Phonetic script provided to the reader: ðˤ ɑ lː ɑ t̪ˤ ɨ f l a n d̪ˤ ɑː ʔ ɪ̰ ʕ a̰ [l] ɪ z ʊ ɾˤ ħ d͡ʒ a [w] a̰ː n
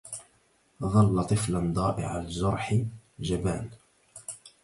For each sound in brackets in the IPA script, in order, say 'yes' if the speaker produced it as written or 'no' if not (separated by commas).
yes, no